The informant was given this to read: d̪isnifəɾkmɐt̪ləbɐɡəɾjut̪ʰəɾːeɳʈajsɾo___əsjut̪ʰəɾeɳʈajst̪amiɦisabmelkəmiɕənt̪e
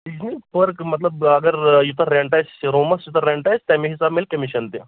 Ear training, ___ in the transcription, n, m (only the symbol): m